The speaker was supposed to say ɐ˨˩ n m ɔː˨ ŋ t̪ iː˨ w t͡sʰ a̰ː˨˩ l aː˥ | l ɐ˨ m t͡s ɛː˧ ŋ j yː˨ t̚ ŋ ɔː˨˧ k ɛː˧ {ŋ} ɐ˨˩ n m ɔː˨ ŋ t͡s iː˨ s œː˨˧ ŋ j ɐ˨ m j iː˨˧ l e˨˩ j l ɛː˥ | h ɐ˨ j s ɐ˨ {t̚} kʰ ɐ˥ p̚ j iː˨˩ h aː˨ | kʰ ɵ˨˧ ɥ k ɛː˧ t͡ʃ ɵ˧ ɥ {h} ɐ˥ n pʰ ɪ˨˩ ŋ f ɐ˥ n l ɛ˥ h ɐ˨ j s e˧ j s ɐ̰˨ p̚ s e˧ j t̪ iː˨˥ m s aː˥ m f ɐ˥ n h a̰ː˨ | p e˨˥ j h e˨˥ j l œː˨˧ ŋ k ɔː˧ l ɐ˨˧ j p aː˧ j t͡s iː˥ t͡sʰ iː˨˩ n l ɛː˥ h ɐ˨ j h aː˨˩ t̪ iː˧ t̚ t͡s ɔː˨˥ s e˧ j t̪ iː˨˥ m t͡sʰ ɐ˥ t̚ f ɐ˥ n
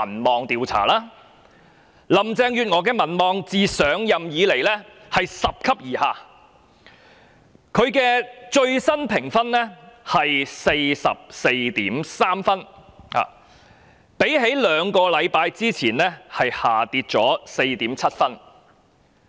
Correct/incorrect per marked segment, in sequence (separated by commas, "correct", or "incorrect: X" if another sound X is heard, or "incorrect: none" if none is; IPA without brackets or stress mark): incorrect: m, incorrect: p̚, incorrect: s